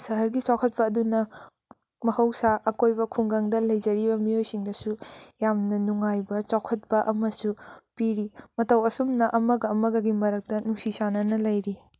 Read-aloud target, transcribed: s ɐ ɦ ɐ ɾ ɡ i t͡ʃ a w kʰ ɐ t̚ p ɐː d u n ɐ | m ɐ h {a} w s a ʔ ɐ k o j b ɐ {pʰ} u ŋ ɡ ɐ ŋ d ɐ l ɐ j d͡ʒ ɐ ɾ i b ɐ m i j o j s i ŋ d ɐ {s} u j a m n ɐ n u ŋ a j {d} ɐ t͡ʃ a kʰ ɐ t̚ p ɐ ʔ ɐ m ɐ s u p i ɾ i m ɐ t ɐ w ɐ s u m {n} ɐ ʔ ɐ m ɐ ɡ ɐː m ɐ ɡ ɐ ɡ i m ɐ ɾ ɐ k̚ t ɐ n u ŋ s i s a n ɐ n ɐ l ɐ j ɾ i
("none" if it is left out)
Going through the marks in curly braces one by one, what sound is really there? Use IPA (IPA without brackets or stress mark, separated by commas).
ɐ, kʰ, s, b, n